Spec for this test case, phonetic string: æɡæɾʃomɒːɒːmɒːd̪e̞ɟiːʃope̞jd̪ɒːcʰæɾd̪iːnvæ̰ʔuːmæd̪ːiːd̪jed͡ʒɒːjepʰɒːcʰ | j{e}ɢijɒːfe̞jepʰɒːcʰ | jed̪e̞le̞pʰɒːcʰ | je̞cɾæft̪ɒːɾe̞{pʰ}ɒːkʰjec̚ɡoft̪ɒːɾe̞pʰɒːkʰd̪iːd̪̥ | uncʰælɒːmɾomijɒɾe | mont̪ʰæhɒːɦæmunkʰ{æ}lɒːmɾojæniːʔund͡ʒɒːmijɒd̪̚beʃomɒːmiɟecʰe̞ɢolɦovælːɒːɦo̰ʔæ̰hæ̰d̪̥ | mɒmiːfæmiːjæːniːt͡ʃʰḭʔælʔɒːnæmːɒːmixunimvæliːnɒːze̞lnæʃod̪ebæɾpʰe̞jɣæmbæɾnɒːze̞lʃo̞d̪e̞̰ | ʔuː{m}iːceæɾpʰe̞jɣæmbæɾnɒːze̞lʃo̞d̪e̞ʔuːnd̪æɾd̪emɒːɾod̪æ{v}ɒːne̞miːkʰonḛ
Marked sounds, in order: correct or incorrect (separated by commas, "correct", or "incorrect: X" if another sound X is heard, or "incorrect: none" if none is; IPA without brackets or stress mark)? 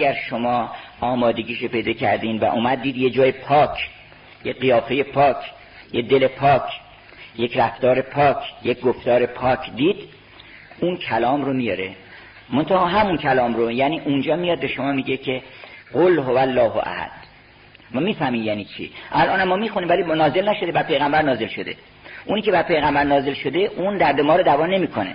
correct, correct, correct, incorrect: n, correct